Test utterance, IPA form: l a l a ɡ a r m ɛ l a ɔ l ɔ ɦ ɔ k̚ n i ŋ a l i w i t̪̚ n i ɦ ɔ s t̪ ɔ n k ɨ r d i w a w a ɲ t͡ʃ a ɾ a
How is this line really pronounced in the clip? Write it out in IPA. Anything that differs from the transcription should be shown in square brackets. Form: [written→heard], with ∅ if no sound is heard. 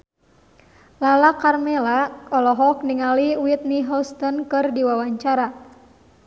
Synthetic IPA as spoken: l a l a [ɡ→k] a r m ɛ l a ɔ l ɔ ɦ ɔ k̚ n i ŋ a l i w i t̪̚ n i ɦ ɔ s t̪ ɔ n k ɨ r d i w a w a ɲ t͡ʃ a ɾ a